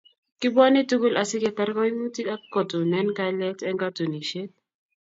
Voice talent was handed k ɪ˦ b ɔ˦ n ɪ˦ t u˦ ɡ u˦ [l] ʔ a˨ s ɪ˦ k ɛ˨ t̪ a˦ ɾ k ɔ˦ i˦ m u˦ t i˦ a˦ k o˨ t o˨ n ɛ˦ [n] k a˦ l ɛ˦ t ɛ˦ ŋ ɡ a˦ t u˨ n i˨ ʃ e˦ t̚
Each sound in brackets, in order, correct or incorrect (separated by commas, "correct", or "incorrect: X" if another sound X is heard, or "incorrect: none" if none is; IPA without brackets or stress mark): correct, correct